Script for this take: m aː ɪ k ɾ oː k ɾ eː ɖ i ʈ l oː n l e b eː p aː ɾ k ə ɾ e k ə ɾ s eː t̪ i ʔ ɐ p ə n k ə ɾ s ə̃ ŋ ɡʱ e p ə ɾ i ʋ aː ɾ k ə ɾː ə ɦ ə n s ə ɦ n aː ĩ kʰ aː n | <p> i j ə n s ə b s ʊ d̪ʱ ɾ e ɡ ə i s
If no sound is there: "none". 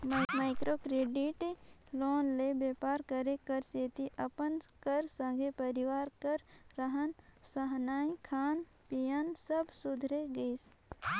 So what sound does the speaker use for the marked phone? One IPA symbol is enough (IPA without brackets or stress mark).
p